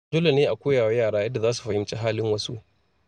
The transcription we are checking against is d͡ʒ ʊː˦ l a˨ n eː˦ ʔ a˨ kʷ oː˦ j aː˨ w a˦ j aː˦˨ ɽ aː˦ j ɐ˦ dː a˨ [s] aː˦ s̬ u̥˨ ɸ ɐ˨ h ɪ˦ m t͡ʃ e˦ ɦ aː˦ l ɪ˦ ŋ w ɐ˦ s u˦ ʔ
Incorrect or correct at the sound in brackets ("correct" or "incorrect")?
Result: incorrect